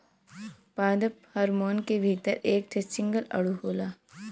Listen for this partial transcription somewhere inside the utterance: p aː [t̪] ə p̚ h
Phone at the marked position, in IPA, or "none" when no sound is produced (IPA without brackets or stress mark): d̪